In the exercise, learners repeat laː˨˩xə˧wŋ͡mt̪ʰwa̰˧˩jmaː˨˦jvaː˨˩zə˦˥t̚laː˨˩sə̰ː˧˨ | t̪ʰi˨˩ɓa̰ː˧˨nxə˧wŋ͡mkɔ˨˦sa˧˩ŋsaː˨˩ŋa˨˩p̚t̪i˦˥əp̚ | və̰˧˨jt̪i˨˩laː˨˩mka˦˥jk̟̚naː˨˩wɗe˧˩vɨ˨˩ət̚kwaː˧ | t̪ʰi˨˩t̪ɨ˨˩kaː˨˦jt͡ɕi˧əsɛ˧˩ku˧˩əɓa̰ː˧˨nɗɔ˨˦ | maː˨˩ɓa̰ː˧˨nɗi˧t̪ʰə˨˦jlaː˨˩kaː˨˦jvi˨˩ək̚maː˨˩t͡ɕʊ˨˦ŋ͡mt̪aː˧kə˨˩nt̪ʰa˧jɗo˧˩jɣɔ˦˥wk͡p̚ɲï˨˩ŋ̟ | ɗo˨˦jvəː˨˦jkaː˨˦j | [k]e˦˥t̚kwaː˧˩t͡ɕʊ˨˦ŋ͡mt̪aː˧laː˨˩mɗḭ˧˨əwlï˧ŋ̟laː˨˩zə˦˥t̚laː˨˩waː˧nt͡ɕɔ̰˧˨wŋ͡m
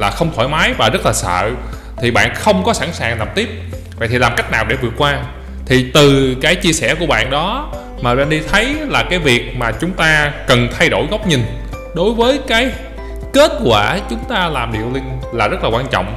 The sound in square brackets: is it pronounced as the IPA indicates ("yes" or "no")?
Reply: yes